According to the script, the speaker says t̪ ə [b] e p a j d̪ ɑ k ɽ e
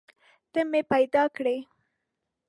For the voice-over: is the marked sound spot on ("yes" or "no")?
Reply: no